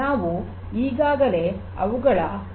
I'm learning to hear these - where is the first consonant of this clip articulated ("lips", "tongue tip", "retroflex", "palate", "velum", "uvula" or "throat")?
lips